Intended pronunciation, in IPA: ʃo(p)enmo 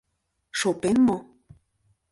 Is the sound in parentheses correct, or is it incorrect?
correct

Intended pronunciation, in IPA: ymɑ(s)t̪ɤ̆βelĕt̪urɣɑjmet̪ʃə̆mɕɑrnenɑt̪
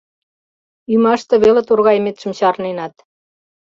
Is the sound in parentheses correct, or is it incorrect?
incorrect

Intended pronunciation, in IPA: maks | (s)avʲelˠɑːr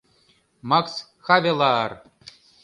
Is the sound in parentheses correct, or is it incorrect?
incorrect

